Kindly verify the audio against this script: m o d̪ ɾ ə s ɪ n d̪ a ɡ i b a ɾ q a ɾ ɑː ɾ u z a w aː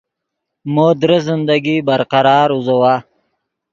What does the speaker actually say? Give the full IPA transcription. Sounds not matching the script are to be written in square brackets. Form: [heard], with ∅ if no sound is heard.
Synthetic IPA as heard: m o d̪ ɾ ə [z] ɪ n d̪ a ɡ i b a ɾ q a ɾ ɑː ɾ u z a w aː